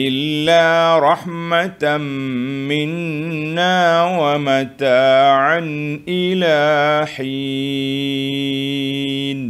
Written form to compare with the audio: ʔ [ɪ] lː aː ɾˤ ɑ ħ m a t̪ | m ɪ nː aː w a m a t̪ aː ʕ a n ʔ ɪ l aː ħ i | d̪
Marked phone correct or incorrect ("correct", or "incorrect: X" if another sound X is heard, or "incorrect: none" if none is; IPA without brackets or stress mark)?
correct